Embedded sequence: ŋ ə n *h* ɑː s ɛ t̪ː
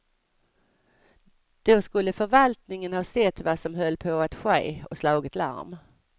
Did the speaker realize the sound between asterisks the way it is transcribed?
yes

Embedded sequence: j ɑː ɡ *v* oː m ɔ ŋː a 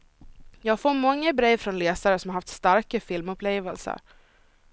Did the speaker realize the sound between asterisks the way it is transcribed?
no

